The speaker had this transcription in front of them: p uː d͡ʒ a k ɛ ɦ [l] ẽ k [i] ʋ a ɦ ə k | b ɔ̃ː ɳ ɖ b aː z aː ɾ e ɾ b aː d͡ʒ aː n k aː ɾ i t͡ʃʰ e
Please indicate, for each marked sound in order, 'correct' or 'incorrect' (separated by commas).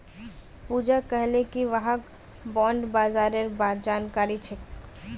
correct, correct